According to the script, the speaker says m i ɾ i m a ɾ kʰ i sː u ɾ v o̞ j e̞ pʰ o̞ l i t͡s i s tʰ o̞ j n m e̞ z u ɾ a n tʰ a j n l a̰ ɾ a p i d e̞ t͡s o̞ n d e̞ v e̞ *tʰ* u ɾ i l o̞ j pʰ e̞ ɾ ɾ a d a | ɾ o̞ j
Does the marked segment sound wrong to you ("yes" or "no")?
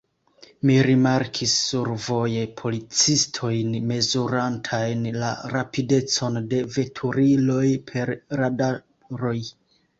no